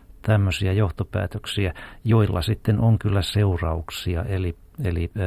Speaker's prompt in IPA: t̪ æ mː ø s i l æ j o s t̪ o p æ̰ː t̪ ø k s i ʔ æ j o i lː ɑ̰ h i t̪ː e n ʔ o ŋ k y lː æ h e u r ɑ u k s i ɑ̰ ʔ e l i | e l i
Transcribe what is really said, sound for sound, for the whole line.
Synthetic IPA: t̪ æ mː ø s i æ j o h t̪ o p æ̰ː t̪ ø k s i æ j o i lː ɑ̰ s i t̪ː e n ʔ o ŋ k y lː æ s e u r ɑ u k s i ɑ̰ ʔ e l i | e l i